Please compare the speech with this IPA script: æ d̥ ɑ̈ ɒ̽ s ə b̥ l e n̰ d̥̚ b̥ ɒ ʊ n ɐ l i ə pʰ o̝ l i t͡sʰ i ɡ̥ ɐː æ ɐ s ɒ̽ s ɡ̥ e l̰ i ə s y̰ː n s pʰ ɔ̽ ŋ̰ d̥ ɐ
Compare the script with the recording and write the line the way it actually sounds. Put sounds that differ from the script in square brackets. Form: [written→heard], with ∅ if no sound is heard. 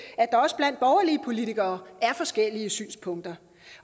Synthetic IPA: æ d̥ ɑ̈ ɒ̽ s ə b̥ l [e→æ] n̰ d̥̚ b̥ ɒ ʊ [n→∅] ɐ l i ə pʰ o̝ l i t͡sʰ i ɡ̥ ɐː æ ɐ [s→f] ɒ̽ s ɡ̥ e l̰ i ə s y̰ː n s pʰ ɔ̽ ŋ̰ d̥ ɐ